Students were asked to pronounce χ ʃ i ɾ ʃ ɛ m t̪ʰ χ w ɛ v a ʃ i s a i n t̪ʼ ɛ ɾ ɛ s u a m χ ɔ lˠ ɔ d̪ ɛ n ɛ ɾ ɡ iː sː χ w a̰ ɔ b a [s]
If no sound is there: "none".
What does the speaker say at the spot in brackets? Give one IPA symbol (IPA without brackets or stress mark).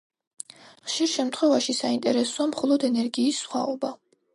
none